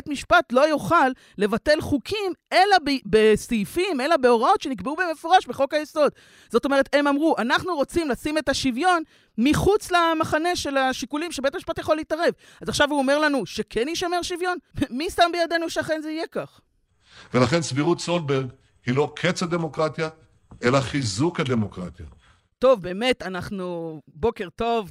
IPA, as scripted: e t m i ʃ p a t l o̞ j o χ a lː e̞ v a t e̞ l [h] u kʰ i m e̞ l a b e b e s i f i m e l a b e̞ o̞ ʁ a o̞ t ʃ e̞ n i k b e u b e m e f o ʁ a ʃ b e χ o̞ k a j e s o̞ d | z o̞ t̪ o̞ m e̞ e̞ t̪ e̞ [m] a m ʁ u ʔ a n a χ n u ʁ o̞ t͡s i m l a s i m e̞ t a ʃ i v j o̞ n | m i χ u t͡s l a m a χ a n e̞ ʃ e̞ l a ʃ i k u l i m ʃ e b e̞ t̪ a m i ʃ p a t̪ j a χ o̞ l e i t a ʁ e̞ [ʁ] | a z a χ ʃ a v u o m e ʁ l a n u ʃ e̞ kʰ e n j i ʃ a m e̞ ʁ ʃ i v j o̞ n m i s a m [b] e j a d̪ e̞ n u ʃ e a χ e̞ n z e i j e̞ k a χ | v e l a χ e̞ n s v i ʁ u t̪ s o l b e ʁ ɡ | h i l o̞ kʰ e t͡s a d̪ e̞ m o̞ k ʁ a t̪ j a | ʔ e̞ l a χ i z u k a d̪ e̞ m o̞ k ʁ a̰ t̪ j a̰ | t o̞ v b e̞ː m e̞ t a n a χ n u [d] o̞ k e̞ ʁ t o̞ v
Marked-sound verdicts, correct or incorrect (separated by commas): incorrect, correct, incorrect, correct, incorrect